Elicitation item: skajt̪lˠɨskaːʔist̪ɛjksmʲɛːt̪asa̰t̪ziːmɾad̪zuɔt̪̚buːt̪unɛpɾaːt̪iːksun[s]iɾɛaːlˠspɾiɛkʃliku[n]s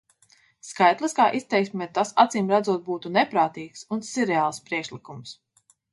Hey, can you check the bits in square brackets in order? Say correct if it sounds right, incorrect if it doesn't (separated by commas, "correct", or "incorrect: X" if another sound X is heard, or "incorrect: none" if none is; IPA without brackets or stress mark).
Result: correct, incorrect: m